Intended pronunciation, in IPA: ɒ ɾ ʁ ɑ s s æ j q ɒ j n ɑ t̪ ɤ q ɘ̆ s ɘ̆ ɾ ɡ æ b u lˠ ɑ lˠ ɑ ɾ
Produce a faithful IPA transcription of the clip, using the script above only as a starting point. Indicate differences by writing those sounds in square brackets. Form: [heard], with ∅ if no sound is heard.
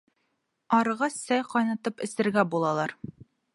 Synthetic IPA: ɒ ɾ ʁ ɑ s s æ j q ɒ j n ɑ t̪ ɤ [p] ɘ̆ s ɘ̆ ɾ ɡ æ b u lˠ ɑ lˠ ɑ ɾ